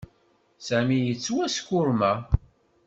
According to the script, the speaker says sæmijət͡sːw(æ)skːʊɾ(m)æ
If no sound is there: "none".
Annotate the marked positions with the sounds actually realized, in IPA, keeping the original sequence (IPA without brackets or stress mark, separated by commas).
æ, m